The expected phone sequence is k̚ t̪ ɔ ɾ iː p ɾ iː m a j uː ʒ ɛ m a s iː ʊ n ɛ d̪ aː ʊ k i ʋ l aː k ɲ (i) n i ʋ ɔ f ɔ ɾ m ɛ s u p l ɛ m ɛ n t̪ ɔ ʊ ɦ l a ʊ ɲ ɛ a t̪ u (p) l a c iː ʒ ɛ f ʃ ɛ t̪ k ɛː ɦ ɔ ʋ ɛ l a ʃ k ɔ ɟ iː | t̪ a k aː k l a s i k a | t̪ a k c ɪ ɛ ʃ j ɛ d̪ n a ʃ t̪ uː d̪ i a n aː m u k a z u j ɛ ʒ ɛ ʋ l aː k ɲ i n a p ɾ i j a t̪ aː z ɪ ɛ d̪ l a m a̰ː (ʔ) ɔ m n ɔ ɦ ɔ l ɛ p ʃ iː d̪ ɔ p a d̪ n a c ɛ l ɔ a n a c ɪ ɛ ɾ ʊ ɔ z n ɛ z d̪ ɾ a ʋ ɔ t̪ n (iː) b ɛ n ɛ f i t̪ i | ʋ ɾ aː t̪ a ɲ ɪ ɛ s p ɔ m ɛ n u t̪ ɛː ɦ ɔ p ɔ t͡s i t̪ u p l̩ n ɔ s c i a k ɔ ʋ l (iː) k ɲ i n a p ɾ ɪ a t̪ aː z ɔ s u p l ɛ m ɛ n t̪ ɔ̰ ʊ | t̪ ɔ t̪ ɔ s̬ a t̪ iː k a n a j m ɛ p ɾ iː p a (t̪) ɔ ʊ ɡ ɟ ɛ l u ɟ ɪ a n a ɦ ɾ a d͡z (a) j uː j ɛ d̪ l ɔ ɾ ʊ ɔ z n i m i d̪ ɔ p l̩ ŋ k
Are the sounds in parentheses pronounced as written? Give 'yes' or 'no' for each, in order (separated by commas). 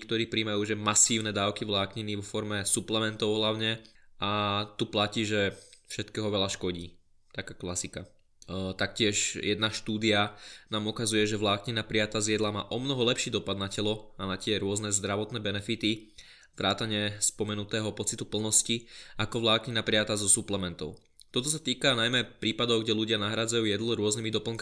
yes, yes, yes, no, no, no, yes